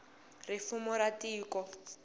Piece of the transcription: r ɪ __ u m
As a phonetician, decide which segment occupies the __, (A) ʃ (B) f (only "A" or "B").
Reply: B